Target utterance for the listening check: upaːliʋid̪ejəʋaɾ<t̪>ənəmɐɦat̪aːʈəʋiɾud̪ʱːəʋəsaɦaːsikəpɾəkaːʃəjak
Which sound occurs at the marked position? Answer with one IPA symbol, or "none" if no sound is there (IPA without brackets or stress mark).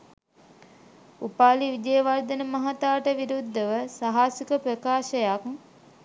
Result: d̪